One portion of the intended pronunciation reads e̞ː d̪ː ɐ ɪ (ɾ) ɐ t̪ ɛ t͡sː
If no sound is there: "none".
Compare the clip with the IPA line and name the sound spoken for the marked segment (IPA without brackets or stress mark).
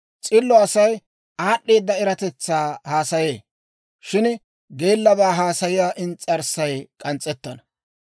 ɾ